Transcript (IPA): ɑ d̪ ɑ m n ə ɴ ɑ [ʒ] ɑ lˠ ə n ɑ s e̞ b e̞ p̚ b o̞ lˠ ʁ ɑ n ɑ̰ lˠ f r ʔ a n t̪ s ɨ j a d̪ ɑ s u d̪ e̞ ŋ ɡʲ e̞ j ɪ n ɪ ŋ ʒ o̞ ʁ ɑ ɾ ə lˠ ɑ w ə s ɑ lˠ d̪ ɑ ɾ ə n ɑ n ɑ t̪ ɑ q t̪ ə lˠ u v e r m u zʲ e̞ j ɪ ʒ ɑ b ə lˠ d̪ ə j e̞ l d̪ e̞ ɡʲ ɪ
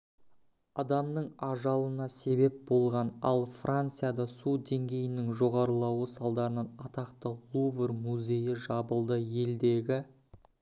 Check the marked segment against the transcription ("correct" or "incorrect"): correct